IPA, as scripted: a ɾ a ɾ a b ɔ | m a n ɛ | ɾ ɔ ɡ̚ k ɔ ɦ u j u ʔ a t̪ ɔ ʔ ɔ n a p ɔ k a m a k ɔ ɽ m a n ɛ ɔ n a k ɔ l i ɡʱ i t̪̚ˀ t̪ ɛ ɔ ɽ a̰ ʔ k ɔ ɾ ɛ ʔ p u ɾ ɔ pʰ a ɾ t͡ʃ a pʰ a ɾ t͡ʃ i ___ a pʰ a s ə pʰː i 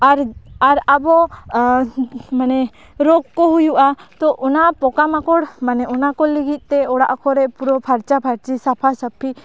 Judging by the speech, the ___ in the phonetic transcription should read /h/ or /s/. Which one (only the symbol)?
s